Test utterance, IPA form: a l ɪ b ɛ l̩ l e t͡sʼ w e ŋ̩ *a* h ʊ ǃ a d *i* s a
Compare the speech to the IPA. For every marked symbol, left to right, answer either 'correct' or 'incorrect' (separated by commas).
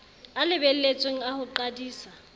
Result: correct, incorrect